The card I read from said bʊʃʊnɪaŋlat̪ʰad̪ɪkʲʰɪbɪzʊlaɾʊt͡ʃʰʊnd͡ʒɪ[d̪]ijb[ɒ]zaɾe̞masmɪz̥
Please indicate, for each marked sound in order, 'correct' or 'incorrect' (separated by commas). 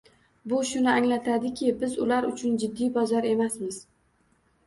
incorrect, correct